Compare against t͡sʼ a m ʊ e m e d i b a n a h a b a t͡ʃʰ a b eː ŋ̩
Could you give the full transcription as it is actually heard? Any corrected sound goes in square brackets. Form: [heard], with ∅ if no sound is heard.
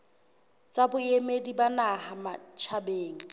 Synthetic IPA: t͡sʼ a [b] ʊ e m e d i b a n a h a [m] a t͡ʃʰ a b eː ŋ̩

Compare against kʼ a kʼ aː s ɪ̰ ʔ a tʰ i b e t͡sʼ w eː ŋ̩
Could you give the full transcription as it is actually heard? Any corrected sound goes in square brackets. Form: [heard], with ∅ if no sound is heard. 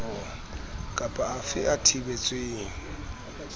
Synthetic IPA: kʼ a [pʼ] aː [f] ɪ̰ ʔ a tʰ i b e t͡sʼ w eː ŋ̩

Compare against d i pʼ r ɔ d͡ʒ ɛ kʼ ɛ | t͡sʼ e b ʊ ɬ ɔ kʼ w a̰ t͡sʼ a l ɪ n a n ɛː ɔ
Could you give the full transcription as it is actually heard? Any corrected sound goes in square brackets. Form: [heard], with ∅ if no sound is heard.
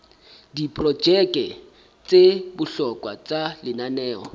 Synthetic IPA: d i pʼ r ɔ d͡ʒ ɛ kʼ ɛ | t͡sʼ e b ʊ ɬ ɔ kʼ w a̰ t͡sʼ a l ɪ n a n ɛː ɔ

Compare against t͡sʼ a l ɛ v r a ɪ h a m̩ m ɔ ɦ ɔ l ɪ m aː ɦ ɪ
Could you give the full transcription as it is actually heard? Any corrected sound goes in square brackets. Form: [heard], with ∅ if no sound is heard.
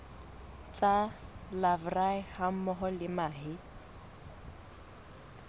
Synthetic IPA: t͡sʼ a l [a] v r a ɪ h a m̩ m ɔ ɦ ɔ l ɪ m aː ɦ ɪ

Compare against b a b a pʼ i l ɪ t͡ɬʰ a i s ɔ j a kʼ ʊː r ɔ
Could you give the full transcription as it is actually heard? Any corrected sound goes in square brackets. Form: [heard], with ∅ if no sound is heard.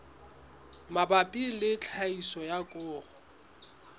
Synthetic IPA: [m] a b a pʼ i l ɪ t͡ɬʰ a i s ɔ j a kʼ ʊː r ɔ

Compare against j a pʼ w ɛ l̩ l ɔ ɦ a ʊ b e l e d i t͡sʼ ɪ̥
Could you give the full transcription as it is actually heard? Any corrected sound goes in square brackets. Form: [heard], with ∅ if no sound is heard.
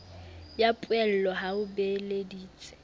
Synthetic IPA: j a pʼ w ɛ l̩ l ɔ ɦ a ʊ b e l e d [iː] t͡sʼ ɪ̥

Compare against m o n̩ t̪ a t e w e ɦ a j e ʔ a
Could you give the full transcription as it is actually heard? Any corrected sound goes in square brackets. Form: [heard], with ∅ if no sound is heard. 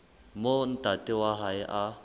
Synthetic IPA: m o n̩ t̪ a t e w [a] ɦ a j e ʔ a

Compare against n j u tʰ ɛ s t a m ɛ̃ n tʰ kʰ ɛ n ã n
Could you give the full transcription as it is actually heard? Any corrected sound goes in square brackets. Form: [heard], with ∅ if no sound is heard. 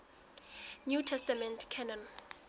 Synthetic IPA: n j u tʰ ɛ s t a m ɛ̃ n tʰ kʰ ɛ n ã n

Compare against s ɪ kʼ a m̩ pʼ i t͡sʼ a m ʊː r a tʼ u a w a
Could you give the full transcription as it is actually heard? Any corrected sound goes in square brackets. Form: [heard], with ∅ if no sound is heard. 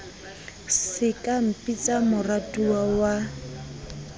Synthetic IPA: s ɪ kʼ a m̩ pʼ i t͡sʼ a m [ʊ] r a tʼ u a w a

